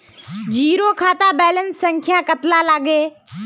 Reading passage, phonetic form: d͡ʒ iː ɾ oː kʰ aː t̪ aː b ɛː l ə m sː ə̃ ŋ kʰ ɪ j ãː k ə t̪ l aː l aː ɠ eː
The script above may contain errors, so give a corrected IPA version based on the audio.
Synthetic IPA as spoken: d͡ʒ iː ɾ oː kʰ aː t̪ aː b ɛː l ə n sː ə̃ ŋ kʰ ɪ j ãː k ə t̪ l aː l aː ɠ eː

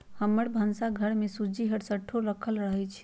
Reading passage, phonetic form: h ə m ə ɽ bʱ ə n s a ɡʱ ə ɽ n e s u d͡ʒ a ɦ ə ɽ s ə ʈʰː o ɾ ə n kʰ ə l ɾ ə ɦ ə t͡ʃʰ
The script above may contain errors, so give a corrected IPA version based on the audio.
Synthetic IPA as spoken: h ə m ə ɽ bʱ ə n s a ɡʱ ə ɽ m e s u d͡ʒ i ɦ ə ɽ s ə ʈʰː o ɾ ə kʰ ə l ɾ ə ɦ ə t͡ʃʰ

